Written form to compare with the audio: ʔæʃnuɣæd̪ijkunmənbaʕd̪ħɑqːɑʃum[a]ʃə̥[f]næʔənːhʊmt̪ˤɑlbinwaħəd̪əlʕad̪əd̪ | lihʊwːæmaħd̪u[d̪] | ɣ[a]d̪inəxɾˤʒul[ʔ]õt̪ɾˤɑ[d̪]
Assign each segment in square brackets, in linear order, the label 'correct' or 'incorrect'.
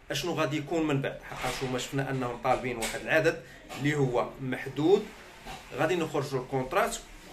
incorrect: æ, correct, correct, incorrect: æ, incorrect: k, incorrect: t̪

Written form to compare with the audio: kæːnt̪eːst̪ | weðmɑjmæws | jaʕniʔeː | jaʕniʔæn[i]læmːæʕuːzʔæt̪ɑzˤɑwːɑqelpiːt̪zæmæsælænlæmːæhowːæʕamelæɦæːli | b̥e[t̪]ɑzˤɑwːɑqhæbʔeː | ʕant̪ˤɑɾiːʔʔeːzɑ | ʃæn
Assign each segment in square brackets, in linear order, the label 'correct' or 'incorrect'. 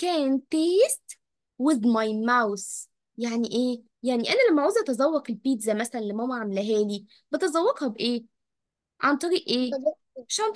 incorrect: æ, correct

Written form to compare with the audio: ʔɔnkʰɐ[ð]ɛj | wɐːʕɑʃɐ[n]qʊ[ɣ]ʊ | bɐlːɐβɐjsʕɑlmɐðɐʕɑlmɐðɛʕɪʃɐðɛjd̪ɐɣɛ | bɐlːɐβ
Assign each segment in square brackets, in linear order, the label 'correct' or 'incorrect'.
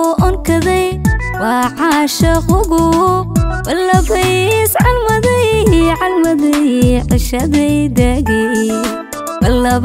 correct, incorrect: none, correct

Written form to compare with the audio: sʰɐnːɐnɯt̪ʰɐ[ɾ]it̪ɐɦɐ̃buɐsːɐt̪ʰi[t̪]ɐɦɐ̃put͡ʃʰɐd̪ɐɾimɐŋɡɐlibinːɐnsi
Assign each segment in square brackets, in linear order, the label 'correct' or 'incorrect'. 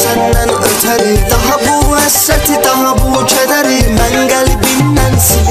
correct, correct

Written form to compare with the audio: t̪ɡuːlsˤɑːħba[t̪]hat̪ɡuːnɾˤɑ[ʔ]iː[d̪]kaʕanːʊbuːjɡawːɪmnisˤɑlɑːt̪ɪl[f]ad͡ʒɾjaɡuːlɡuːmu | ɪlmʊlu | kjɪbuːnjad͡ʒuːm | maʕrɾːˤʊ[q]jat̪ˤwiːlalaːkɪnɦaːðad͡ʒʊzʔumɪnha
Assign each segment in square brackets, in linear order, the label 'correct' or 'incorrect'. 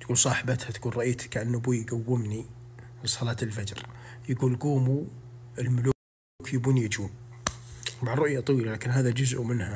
correct, correct, incorrect: t̪, correct, incorrect: ʔ

